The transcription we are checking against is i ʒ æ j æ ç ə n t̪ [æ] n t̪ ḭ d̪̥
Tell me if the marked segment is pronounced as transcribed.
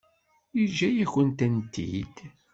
yes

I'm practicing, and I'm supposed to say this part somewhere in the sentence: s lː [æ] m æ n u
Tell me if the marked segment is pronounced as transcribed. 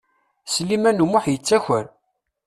no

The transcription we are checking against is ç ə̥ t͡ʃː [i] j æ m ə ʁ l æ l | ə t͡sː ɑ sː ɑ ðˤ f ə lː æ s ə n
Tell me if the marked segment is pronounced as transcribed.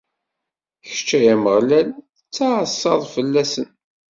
no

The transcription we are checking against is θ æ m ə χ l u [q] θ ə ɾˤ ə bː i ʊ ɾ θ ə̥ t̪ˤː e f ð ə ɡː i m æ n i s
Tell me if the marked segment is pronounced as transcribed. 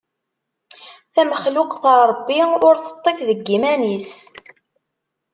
yes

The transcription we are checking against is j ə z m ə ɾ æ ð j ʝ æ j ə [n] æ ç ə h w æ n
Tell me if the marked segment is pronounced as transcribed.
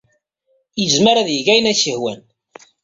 yes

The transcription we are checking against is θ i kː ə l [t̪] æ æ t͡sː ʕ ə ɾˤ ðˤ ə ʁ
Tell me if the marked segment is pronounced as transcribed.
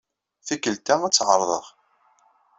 yes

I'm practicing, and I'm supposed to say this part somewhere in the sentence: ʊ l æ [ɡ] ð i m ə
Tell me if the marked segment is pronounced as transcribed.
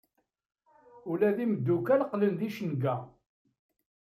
no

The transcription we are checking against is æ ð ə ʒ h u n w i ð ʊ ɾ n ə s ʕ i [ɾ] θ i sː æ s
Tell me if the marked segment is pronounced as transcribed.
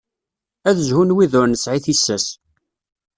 no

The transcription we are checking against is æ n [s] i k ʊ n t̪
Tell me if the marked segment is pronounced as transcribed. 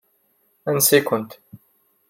yes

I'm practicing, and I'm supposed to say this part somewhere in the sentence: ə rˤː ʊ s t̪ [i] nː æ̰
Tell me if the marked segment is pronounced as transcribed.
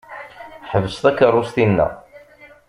yes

